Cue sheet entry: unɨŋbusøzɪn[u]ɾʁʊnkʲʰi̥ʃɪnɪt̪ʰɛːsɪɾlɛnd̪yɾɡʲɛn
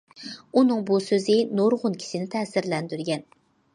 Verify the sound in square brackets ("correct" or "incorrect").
incorrect